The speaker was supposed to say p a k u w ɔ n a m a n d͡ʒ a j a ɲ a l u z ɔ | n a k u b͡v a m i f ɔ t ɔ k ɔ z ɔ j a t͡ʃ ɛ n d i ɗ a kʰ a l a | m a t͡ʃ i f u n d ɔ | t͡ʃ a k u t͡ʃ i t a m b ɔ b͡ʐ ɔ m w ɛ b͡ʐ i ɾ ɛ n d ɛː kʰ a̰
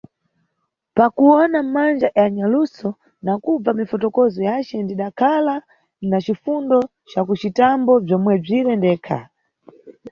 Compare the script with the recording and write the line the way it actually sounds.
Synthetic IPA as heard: p a k u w ɔ n a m a n d͡ʒ a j a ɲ a l u s ɔ | n a k u b͡v a m i f ɔ t ɔ k ɔ z ɔ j a t͡ʃ ɛ n d i ɗ a kʰ a l a | n a t͡ʃ i f u n d ɔ | t͡ʃ a k u t͡ʃ i t a m b ɔ b͡ʐ ɔ m w ɛ b͡ʐ i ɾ ɛ n d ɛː kʰ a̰